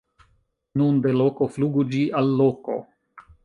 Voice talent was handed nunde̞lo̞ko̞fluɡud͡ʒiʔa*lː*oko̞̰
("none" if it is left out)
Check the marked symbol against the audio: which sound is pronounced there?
lː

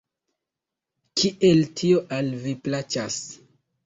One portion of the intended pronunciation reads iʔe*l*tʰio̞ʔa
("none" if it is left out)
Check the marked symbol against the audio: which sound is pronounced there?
l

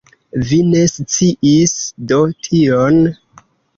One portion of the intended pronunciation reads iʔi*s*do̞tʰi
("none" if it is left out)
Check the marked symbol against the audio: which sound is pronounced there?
s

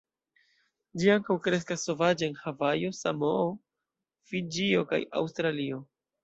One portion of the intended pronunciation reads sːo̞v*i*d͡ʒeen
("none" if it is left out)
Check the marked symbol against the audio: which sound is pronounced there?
a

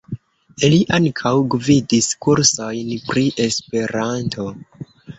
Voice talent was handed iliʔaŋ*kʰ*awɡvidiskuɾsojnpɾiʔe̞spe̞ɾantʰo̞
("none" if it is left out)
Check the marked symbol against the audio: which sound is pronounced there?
kʰ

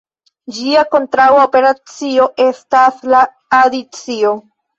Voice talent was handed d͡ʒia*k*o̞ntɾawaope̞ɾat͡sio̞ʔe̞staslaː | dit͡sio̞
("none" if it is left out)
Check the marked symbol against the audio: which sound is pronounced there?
k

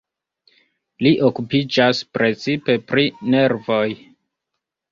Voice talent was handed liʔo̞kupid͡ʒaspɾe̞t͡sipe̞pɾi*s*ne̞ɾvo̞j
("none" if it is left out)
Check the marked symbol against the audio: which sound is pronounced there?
none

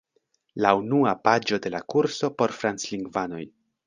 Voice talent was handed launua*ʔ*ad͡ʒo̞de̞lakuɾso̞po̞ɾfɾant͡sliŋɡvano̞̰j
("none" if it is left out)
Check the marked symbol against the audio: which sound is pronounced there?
p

